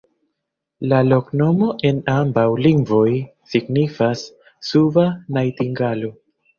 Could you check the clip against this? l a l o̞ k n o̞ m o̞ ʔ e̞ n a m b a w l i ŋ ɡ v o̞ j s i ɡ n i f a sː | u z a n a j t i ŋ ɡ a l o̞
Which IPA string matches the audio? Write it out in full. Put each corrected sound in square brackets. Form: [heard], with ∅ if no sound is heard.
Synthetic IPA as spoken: l a l o̞ k n o̞ m o̞ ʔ e̞ n a m b a w l i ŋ ɡ v o̞ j s i ɡ n i f a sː | u [v] a n a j t i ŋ ɡ a l o̞